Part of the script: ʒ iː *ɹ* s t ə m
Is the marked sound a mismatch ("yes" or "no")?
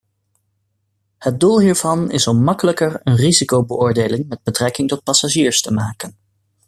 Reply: no